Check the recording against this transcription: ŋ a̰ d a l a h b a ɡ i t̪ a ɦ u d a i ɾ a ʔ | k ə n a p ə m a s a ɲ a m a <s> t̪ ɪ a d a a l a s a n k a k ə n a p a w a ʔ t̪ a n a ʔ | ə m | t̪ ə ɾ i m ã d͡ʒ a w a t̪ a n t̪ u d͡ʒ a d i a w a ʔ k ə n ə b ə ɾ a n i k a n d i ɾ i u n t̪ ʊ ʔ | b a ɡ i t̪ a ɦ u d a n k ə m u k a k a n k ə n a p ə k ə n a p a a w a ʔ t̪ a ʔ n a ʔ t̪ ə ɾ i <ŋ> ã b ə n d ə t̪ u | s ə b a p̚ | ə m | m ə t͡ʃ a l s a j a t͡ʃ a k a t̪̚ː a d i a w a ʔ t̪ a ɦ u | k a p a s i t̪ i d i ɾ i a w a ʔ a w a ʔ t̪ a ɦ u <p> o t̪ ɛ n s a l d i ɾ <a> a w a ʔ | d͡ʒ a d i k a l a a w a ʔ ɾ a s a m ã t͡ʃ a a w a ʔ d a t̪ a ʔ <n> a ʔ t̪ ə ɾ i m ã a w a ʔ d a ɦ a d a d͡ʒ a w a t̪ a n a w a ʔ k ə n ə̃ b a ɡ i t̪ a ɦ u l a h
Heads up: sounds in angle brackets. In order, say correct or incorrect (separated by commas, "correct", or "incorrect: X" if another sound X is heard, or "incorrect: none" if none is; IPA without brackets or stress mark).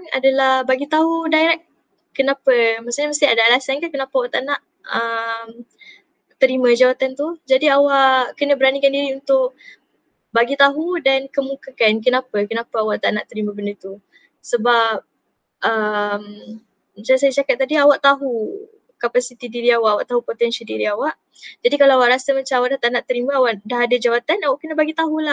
correct, incorrect: m, correct, incorrect: i, correct